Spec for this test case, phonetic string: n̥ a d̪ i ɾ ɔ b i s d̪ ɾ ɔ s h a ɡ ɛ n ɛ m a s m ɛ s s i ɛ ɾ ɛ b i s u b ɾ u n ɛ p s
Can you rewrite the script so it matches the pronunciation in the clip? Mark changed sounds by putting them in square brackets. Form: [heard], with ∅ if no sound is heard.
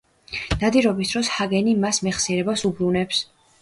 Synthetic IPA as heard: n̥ a d̪ i ɾ ɔ b i s d̪ ɾ ɔ s h a ɡ ɛ n [i] m a s m ɛ [χ] s i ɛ ɾ ɛ b [a] s u b ɾ u n ɛ p s